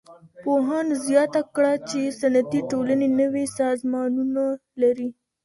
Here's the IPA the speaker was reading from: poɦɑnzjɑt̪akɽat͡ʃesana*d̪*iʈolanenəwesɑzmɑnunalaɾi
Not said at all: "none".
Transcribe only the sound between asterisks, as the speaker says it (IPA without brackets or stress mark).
t̪